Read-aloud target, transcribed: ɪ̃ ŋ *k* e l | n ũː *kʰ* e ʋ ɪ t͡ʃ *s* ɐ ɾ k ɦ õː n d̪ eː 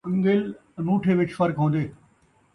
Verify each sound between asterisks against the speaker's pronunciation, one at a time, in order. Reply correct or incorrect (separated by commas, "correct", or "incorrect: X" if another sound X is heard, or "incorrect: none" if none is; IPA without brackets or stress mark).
incorrect: ɡ, incorrect: ʈʰ, incorrect: f